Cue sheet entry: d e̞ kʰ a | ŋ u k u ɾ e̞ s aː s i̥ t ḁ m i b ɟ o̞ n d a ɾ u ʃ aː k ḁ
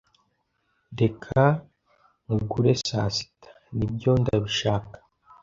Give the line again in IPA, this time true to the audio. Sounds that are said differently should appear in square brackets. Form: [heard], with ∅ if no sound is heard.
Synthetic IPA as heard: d e̞ kʰ a | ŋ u [ɡ] u ɾ e̞ s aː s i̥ t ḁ [n] i b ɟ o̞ n d a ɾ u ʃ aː k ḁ